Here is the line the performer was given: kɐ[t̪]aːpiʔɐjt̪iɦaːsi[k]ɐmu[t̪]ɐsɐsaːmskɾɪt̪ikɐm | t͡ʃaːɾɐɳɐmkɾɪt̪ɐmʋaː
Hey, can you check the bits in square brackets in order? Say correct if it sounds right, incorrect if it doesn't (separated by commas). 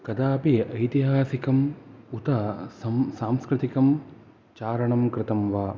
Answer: incorrect, correct, correct